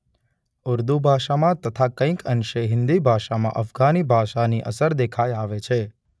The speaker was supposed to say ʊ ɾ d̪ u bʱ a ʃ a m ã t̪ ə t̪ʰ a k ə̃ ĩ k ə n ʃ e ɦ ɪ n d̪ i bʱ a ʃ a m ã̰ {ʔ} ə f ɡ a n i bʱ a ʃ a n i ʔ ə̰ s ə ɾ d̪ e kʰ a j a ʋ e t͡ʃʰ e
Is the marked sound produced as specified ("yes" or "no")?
yes